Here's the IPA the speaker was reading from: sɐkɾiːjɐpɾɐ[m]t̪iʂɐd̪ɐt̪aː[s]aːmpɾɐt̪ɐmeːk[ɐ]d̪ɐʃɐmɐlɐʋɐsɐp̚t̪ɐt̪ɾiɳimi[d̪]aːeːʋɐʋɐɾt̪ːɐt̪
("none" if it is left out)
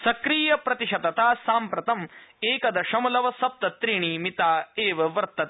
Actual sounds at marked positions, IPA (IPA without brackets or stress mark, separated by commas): none, s, ɐ, t̪